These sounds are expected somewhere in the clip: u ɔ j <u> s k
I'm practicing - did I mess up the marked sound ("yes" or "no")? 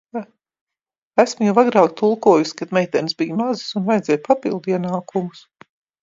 no